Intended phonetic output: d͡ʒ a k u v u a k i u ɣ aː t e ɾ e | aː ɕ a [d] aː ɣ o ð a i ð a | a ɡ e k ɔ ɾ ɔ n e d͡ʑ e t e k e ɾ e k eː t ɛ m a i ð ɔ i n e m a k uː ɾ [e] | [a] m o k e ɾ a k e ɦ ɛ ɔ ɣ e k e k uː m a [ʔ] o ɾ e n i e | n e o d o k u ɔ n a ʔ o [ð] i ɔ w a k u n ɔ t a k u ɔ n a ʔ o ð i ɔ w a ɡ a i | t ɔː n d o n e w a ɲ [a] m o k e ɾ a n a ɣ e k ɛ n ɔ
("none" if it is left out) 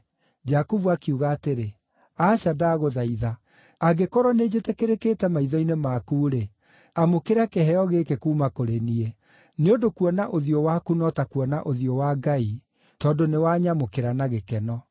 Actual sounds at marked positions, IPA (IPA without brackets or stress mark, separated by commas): d, e, a, k, ð, a